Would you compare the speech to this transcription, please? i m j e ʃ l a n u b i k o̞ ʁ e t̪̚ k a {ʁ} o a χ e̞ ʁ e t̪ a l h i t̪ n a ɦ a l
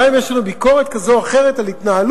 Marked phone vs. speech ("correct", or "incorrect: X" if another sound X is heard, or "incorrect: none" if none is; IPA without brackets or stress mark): incorrect: z